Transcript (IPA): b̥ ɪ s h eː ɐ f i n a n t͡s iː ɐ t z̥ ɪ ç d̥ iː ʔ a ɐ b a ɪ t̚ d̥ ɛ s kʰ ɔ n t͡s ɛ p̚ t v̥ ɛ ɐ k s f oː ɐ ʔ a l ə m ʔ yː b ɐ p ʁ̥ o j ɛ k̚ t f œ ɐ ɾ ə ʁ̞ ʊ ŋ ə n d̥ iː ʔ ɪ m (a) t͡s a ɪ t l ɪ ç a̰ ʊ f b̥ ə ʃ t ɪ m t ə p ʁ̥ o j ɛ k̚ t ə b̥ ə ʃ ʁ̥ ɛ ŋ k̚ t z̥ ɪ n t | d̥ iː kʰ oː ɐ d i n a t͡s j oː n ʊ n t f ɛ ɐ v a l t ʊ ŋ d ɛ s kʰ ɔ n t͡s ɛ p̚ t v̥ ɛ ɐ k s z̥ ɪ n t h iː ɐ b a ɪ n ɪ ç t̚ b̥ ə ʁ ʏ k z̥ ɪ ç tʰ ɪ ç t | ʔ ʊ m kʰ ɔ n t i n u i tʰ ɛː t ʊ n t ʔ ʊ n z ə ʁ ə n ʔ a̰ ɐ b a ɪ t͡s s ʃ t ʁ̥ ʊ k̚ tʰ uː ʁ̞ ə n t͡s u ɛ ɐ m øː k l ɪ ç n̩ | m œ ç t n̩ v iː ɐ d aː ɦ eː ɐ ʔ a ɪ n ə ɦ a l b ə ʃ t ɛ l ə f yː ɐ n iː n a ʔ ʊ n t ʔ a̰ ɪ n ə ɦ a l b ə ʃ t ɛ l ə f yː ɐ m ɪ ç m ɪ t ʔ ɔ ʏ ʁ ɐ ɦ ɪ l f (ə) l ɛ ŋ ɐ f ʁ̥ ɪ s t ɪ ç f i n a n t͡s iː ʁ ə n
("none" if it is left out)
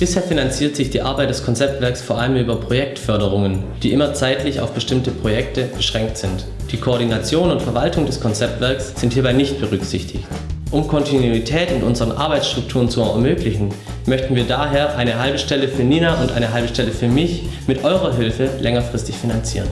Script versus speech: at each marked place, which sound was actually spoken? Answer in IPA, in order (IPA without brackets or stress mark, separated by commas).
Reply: ɐ, ə